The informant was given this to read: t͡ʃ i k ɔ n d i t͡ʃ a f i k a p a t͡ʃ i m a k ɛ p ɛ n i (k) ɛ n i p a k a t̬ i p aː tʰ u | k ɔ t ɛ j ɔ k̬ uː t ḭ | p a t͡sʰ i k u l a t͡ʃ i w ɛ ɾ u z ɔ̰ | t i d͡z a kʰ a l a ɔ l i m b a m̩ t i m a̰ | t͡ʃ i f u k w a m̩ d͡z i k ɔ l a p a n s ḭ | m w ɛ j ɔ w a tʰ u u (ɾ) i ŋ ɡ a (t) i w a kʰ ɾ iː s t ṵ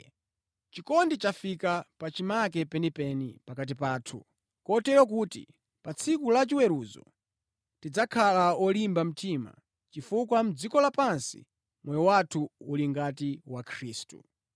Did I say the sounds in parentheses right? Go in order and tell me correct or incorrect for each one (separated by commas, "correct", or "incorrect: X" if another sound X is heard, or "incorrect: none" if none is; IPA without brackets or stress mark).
incorrect: p, incorrect: l, correct